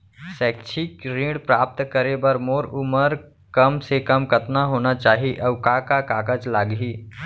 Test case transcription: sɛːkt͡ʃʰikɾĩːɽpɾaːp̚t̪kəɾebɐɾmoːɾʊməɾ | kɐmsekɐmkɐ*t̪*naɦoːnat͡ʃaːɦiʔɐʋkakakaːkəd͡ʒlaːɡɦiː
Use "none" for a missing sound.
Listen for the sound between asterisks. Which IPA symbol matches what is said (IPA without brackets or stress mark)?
t̪